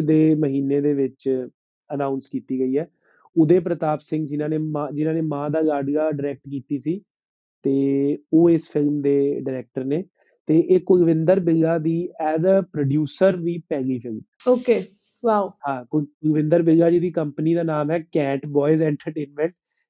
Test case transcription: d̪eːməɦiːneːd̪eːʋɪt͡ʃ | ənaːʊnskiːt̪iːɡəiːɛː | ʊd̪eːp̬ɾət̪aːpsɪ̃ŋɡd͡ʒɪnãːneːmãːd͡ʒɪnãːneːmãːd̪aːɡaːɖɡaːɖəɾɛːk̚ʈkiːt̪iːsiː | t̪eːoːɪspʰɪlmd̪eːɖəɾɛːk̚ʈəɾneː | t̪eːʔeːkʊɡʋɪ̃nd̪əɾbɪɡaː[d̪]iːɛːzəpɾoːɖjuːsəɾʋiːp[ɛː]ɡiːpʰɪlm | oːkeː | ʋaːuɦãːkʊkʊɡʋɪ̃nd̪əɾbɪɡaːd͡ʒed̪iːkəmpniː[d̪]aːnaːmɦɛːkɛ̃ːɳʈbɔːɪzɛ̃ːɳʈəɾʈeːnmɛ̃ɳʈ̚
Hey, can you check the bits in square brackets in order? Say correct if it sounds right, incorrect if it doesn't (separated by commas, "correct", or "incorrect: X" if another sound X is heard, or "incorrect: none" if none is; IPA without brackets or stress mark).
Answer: correct, correct, correct